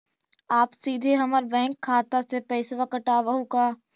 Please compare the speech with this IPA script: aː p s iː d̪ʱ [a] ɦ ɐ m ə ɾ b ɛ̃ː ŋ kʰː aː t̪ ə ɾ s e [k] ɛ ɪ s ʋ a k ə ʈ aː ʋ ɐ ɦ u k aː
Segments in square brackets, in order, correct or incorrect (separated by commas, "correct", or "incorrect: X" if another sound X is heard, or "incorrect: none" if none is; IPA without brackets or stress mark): incorrect: e, incorrect: p